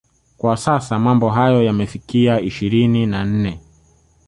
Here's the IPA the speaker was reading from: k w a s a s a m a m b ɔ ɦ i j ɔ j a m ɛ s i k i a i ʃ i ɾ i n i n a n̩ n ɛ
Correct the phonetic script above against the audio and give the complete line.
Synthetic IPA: k w a s a s a m a m b ɔ ɦ a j ɔ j a m ɛ f i k i a i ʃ i ɾ i n i n a n̩ n ɛ